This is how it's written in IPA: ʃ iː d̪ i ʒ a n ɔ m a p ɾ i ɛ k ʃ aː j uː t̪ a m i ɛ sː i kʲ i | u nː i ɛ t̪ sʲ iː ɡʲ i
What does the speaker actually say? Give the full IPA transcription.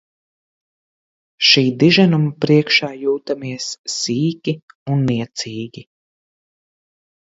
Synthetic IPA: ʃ iː d̪ i ʒ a n u m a p ɾ i ɛ k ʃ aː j uː t̪ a m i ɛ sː iː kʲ i | u nː i ɛ t̪ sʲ iː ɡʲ i